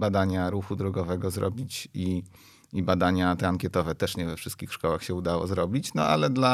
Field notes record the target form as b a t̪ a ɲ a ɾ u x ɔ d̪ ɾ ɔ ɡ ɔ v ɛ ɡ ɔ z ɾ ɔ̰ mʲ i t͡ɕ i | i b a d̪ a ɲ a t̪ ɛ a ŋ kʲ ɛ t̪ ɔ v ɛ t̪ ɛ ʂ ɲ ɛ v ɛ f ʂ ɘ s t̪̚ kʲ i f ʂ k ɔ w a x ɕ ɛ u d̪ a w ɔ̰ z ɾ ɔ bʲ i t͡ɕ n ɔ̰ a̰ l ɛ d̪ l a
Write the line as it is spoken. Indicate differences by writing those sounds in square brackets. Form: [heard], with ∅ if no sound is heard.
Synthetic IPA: b a [d̪] a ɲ a ɾ u x [u] d̪ ɾ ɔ ɡ ɔ v ɛ ɡ ɔ z ɾ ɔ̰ [bʲ] i t͡ɕ i | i b a d̪ a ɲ a t̪ ɛ a ŋ kʲ ɛ t̪ ɔ v ɛ t̪ ɛ ʂ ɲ ɛ v ɛ f ʂ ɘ s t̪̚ kʲ i [x] ʂ k ɔ w a x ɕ ɛ u d̪ a w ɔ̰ z ɾ ɔ bʲ i t͡ɕ n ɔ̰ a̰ l ɛ d̪ l a